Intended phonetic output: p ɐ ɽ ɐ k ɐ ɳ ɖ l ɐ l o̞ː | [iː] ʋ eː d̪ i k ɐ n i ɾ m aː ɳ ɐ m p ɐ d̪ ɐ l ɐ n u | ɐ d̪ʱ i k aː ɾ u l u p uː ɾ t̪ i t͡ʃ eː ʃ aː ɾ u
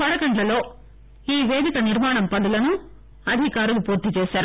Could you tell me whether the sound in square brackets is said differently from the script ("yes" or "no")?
no